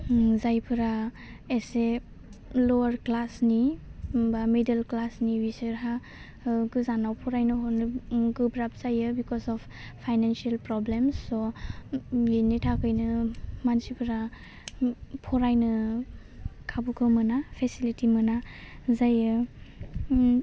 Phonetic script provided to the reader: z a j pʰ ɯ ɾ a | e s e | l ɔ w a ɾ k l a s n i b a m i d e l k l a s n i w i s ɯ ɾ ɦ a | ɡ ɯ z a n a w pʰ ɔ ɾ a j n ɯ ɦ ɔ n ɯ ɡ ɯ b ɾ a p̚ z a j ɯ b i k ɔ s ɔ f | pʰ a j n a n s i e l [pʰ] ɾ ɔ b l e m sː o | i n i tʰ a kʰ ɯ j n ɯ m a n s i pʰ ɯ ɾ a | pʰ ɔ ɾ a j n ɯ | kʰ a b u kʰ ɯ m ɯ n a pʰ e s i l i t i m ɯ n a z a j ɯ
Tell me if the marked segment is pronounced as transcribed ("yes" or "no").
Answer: no